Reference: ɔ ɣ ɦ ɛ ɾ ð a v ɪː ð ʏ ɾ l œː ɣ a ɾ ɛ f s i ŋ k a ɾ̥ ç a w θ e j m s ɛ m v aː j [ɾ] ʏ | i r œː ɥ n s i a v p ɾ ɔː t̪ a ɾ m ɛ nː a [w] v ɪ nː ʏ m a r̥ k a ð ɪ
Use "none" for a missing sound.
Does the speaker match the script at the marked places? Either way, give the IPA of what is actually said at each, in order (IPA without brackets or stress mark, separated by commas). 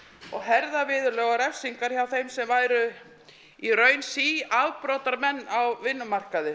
ɾ, w